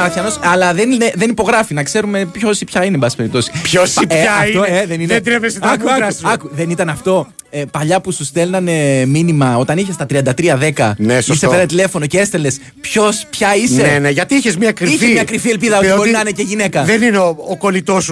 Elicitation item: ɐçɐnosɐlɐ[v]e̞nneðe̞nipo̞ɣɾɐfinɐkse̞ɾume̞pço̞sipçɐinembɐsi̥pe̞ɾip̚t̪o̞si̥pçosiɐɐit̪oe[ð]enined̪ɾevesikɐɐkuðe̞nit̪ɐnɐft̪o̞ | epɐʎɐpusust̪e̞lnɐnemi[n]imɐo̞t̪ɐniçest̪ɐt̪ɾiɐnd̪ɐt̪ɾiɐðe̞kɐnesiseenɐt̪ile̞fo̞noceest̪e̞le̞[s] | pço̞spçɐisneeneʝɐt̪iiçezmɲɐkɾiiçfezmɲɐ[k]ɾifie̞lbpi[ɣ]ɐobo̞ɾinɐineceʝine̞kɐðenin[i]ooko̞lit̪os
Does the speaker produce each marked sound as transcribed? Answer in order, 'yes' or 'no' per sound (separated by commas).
no, yes, yes, yes, yes, no, no